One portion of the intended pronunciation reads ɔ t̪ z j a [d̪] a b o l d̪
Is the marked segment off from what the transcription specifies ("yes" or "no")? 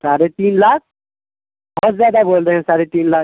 no